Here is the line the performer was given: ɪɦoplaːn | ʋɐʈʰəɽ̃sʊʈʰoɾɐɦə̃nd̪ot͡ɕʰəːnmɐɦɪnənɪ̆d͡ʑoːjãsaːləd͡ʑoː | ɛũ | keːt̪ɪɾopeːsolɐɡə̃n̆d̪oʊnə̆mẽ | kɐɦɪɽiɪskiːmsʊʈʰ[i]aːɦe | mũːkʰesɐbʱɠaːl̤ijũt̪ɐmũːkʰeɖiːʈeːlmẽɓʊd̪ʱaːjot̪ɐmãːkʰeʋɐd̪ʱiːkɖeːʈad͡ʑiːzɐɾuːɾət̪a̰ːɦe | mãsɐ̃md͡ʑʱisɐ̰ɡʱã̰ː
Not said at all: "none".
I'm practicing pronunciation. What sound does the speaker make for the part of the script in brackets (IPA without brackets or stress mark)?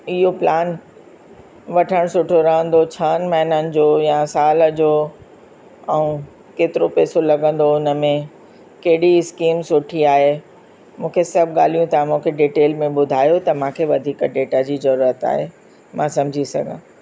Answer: i